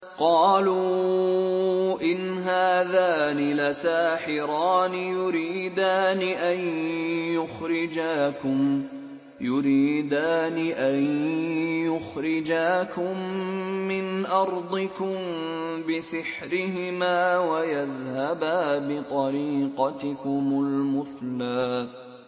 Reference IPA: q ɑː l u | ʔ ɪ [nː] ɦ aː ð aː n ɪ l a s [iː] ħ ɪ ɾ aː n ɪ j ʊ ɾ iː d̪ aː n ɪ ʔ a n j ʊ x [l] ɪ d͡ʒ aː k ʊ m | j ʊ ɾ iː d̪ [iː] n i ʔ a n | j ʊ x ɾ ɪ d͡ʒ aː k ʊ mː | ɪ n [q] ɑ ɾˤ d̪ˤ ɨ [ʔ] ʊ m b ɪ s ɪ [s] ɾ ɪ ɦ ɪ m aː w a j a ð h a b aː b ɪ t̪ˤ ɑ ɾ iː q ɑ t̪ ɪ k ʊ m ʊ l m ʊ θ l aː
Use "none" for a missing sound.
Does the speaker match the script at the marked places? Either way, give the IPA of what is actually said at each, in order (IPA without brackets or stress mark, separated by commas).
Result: n, aː, ɾ, aː, ʔ, k, ħ